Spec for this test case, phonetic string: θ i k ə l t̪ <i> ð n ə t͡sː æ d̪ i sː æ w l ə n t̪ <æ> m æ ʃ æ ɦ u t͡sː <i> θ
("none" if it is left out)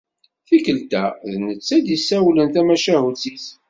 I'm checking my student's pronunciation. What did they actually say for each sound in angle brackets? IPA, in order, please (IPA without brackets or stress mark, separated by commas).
æ, æ, i